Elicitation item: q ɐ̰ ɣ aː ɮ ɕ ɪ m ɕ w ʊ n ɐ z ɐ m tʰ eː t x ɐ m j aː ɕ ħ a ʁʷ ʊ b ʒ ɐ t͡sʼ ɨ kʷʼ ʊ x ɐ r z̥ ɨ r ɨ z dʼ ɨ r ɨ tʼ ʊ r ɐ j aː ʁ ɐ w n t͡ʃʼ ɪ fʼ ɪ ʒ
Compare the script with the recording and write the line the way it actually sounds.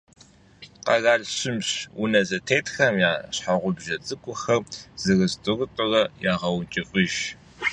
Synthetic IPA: q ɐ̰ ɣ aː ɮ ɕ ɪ m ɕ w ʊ n ɐ z ɐ tʰ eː t x ɐ m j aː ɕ ħ a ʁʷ ʊ b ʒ ɐ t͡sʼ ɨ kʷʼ ʊ x ɐ r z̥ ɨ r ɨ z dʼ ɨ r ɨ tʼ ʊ r ɐ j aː ʁ ɐ w n t͡ʃʼ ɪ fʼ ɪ ʒ

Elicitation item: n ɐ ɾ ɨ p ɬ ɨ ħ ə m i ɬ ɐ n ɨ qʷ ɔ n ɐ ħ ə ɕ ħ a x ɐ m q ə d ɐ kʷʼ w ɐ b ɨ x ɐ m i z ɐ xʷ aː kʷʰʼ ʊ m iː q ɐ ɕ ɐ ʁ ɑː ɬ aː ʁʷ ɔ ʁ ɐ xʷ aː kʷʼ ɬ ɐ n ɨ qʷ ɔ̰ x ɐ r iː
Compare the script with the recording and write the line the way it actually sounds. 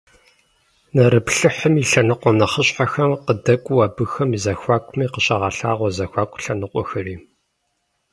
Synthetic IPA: n ɐ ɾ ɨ p ɬ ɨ ħ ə m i ɬ ɐ n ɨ qʷ ɔ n ɐ χ ə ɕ ħ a x ɐ m q ə d ɐ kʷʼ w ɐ b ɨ x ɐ m i z ɐ xʷ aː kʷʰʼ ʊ m iː q ə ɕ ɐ ʁ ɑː ɬ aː ʁʷ ɔ z ɐ xʷ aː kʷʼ ɬ ɐ n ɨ qʷ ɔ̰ x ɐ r iː

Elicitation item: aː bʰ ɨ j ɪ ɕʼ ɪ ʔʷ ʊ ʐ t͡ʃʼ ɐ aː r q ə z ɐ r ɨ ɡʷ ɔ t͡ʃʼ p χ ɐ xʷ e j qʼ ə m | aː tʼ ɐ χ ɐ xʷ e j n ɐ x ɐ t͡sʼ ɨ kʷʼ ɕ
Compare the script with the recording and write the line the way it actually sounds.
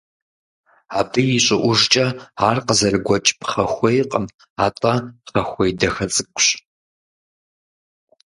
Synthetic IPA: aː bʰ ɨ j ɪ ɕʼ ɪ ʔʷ ʊ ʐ t͡ʃʼ ɐ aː r q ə z ɐ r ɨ ɡʷ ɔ t͡ʃʼ p χ ɐ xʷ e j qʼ ə m | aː tʼ ɐ χ ɐ xʷ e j d ɐ x ɐ t͡sʼ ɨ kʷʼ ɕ

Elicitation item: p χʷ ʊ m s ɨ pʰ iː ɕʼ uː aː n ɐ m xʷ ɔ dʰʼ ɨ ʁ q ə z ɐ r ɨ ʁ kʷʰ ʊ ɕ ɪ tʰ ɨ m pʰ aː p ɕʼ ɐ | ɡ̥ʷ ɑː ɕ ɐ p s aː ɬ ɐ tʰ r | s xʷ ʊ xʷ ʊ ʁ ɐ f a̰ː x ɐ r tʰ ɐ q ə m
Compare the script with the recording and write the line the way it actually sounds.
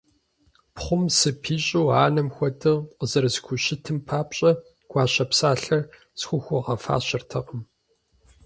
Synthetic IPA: p χʷ ʊ m s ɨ pʰ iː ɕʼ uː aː n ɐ m xʷ ɔ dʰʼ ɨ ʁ q ə z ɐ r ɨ z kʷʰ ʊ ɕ ɪ tʰ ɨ m pʰ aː p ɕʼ ɐ | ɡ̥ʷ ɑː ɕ ɐ p s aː ɬ ɐ r | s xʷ ʊ xʷ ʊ ʁ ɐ f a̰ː ɕ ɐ r tʰ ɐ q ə m

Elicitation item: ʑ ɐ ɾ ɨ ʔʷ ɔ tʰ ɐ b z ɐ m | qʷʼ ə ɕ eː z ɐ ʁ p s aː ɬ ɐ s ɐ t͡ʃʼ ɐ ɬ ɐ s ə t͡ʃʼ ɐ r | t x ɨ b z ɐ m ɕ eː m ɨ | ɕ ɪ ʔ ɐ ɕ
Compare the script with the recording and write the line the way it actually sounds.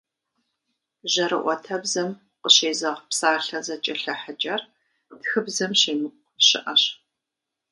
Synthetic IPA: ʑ ɐ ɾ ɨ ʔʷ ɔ tʰ ɐ b z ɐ m | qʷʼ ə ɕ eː z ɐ ʁ p s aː ɬ ɐ z ɐ t͡ʃʼ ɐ ɬ ɐ ħ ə t͡ʃʼ ɐ r | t x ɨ b z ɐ m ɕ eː m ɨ | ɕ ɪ ʔ ɐ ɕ

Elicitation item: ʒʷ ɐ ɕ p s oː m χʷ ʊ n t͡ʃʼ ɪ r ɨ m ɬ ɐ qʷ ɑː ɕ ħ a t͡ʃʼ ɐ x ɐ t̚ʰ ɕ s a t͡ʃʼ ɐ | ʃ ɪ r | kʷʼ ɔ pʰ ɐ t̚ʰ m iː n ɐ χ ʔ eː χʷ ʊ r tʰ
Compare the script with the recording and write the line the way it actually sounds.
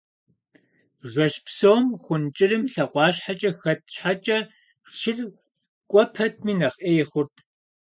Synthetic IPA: ʒʷ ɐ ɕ p s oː m χʷ ʊ n t͡ʃʼ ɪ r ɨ m ɬ ɐ qʷ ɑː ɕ ħ a t͡ʃʼ ɐ x ɐ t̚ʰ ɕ ħ a t͡ʃʼ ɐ | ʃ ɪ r | kʷʼ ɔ pʰ ɐ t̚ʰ m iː n ɐ χ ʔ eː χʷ ʊ r tʰ

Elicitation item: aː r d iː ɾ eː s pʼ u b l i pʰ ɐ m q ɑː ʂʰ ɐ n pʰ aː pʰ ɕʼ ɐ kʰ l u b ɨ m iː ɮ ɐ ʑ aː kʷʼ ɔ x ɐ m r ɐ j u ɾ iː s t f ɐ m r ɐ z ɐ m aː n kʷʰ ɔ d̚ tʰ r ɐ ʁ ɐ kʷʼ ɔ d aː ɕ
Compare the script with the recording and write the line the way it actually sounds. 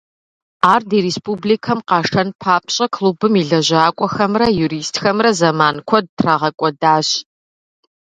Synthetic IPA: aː r d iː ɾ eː s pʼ u b l i kʰ ɐ m q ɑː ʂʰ ɐ n pʰ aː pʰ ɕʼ ɐ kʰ l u b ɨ m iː ɮ ɐ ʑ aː kʷʼ ɔ x ɐ m r ɐ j u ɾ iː s t x ɐ m r ɐ z ɐ m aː n kʷʰ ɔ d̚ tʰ r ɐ ʁ ɐ kʷʼ ɔ d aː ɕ

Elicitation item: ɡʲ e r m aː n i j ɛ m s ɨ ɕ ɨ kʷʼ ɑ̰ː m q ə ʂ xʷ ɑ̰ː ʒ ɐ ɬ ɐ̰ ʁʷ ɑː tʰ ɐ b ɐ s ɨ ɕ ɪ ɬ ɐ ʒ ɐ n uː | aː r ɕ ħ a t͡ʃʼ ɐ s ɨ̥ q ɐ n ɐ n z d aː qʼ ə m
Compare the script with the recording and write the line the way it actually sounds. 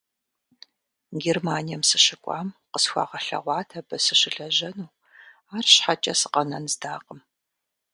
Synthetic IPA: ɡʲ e r m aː n i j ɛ m s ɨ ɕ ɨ kʷʼ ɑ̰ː m q ə s xʷ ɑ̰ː ʁ ɐ ɬ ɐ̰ ʁʷ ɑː tʰ ɐ b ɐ s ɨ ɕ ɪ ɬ ɐ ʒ ɐ n uː | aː r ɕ ħ a t͡ʃʼ ɐ s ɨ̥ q ɐ n ɐ n z d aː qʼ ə m

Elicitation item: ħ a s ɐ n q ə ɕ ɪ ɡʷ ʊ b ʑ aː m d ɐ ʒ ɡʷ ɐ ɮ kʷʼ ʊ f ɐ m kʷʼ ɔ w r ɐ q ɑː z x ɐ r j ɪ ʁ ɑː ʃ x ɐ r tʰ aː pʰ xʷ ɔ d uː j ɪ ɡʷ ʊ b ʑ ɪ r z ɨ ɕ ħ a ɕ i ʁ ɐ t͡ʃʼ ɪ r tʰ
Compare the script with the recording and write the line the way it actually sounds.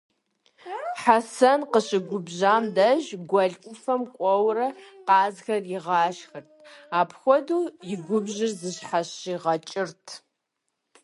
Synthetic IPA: ħ a s ɐ n q ə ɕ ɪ ɡʷ ʊ b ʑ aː m d ɐ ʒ ɡʷ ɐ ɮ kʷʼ ʊ f ɐ m kʷʼ ɔ w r ɐ q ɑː z x ɐ r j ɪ ʁ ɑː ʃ x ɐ r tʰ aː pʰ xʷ ɔ d uː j ɪ ɡʷ ʊ b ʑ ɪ r z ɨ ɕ ħ a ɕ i ʁ ɐ t͡ʃʼ ɪ r tʰ

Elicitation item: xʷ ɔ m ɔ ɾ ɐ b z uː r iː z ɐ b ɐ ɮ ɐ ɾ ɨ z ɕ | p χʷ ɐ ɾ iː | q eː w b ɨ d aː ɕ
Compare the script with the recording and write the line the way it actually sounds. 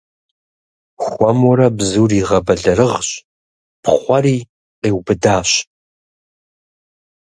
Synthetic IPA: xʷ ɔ m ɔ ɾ ɐ b z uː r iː ʁ ɐ b ɐ ɮ ɐ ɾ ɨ ʁ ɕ | p χʷ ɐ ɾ iː | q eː w b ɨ d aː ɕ

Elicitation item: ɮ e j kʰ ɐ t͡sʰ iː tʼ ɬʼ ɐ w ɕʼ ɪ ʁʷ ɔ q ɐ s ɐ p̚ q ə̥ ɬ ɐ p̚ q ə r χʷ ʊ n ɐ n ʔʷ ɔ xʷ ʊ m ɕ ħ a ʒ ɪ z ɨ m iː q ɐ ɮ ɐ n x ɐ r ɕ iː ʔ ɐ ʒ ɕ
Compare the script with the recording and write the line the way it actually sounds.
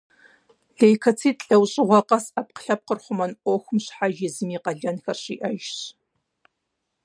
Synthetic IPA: ɮ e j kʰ ɐ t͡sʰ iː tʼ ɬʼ ɐ w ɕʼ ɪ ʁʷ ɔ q ɐ s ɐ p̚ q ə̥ ɬ ɐ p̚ q ə r χʷ ʊ m ɐ n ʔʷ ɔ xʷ ʊ m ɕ ħ a ʒ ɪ z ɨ m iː q ɐ ɮ ɐ n x ɐ r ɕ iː ʔ ɐ ʒ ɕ

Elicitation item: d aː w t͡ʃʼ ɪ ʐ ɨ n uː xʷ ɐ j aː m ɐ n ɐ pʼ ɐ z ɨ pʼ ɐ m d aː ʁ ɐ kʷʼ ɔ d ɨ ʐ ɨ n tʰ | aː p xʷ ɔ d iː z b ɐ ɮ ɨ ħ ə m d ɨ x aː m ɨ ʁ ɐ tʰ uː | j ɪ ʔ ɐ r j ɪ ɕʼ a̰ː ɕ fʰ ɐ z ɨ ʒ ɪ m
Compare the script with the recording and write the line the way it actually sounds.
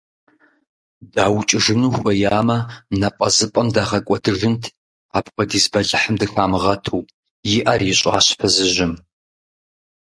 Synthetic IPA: d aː w t͡ʃʼ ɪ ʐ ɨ n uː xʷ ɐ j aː m ɐ n ɐ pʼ ɐ z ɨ pʼ ɐ m d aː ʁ ɐ kʷʼ ɔ d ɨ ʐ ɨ n tʰ | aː p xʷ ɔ d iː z b ɐ ɮ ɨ ħ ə m d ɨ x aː m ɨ ʁ ɐ tʰ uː | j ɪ ʔ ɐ r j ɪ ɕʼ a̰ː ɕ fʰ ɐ z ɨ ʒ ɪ m

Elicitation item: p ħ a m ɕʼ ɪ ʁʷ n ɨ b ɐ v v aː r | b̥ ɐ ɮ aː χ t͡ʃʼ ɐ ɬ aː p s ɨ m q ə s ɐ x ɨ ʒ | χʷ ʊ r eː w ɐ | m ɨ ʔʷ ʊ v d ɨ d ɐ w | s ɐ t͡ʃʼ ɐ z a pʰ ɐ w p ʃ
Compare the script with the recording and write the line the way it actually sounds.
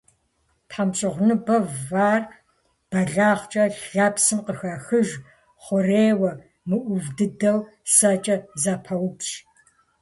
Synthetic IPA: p ħ a m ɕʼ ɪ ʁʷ n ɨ b ɐ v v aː r | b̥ ɐ ɮ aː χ t͡ʃʼ ɐ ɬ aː p s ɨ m q ə x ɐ x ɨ ʒ | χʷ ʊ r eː w ɐ | m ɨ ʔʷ ʊ v d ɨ d ɐ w | s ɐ t͡ʃʼ ɐ z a pʰ ɐ w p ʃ

